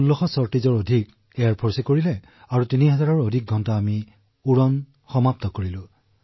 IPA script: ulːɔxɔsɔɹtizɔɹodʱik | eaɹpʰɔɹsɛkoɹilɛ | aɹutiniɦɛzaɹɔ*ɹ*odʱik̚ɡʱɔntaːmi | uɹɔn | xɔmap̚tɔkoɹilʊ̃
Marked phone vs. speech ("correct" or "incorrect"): correct